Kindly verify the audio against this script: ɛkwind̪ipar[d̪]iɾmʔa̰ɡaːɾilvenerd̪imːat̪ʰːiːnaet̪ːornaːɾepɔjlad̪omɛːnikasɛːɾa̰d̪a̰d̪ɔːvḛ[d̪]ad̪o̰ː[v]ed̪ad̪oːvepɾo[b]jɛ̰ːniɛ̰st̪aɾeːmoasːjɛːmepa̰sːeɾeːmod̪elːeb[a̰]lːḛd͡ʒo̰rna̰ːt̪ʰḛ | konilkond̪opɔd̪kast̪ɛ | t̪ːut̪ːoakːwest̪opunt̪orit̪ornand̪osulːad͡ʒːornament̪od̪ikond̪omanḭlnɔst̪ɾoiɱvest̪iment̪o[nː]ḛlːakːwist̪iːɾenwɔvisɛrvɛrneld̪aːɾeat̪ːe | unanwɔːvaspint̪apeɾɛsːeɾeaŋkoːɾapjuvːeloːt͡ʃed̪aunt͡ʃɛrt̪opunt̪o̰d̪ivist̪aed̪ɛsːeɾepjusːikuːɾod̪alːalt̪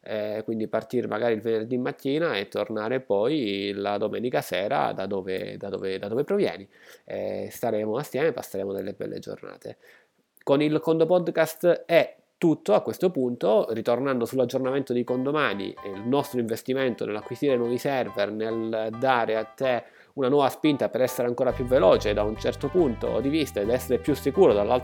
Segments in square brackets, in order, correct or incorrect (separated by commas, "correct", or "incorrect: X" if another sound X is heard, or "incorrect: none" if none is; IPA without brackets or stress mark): incorrect: t̪, correct, correct, incorrect: v, incorrect: ɛ̰, incorrect: n